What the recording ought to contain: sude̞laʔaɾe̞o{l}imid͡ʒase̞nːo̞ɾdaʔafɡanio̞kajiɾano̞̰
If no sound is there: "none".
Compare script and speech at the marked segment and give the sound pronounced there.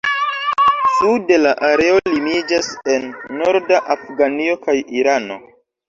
l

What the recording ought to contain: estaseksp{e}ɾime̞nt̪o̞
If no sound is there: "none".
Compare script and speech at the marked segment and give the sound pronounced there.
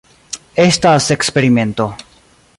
e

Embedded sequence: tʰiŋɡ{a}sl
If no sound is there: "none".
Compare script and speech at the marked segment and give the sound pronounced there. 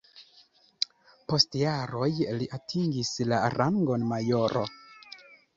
i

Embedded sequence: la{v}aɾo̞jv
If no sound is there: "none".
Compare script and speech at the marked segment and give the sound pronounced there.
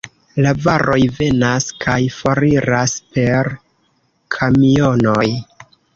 v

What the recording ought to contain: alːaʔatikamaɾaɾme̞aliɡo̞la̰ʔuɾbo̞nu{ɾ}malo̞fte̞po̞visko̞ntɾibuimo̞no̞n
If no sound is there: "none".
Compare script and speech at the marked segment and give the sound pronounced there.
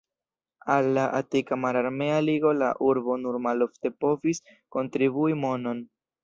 ɾ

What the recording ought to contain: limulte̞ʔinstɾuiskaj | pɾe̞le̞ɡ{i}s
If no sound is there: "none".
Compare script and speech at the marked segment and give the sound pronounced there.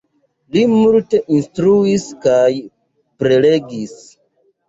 i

